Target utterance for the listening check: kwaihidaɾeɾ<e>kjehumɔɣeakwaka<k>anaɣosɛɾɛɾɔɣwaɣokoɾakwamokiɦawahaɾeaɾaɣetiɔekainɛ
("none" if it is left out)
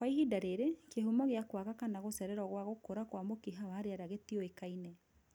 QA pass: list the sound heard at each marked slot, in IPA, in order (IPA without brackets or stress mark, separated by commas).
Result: e, k